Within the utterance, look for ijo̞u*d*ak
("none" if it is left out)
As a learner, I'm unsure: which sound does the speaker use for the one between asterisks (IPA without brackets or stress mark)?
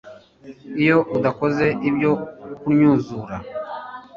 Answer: d